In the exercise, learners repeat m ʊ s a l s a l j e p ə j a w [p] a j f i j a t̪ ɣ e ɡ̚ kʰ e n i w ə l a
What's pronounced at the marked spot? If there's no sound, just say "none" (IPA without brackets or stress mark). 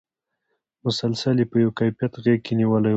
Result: k